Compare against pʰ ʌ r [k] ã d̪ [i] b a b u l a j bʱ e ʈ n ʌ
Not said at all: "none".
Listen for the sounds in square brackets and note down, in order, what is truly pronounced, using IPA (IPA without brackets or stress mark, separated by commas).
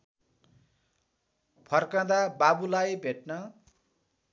k, a